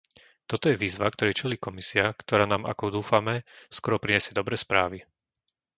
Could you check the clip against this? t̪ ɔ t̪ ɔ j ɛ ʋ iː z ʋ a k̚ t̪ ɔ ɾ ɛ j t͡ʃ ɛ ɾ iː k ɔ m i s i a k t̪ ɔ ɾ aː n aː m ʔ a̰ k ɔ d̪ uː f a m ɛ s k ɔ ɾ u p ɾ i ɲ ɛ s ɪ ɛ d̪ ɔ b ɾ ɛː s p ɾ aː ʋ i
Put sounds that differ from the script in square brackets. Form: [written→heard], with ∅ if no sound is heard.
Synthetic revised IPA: t̪ ɔ t̪ ɔ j ɛ ʋ iː z ʋ a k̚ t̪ ɔ ɾ ɛ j t͡ʃ ɛ [ɾ→l] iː k ɔ m i s i a k t̪ ɔ ɾ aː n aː m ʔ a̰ k ɔ d̪ uː f a m ɛ s k ɔ ɾ [u→ɔ] p ɾ i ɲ ɛ s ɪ ɛ d̪ ɔ b ɾ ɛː s p ɾ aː ʋ i